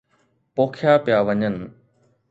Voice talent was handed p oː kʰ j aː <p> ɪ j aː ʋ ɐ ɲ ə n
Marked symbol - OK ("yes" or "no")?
yes